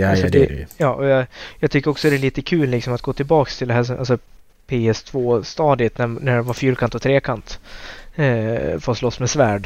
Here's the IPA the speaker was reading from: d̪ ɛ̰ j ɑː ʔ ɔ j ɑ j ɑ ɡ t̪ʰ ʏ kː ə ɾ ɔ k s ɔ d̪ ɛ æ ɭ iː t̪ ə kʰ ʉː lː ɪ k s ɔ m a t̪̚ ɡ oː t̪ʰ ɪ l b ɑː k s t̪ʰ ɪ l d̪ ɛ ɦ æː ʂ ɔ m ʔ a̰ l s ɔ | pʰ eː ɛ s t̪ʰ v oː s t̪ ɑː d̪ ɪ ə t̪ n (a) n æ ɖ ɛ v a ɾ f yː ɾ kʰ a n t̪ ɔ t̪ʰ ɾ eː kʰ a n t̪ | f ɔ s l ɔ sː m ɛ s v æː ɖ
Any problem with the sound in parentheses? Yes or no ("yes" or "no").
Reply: yes